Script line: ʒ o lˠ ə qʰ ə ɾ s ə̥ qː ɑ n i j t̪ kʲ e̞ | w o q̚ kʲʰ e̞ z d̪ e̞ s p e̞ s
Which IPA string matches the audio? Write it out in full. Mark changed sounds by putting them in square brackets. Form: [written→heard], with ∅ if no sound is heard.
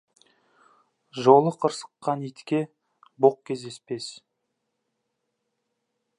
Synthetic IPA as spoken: ʒ o lˠ ə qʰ ə ɾ s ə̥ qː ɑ n i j t̪ kʲ e̞ | [w→b] o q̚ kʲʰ e̞ z d̪ e̞ s p e̞ s